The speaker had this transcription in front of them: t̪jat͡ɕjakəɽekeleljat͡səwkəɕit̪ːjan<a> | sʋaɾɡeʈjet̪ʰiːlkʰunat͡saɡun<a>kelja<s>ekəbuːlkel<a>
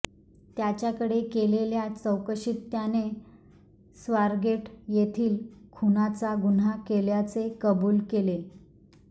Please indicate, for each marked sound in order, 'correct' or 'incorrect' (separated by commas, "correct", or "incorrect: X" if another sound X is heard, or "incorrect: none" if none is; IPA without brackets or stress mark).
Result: incorrect: e, correct, incorrect: t͡s, incorrect: e